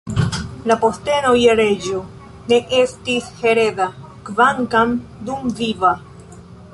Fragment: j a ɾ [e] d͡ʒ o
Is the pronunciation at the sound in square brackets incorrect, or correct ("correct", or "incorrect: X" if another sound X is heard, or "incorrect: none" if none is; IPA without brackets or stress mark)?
correct